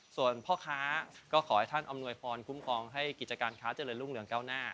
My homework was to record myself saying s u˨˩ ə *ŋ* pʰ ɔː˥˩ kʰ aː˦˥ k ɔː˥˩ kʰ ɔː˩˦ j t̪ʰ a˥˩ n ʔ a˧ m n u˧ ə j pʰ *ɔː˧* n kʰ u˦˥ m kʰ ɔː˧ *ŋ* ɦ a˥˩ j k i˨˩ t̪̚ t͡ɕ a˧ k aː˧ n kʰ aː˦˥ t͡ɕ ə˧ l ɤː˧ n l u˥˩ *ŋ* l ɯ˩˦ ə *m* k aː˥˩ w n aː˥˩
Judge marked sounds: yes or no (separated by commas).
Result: no, yes, yes, yes, no